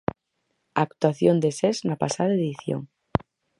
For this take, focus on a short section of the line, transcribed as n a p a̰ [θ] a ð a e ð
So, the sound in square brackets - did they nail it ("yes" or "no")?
no